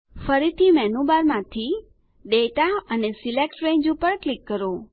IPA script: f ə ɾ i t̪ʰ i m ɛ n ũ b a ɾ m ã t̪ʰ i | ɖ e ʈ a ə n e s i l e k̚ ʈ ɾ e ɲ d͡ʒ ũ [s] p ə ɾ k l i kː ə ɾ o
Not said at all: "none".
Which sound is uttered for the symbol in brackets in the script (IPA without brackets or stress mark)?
none